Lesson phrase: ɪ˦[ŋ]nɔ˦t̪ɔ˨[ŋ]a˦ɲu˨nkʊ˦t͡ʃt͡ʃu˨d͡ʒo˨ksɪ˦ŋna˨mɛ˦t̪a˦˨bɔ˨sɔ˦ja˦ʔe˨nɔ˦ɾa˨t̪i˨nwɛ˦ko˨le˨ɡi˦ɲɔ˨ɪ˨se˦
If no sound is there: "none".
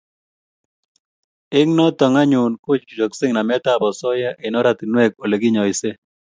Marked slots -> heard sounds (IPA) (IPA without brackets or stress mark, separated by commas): ŋ, ŋ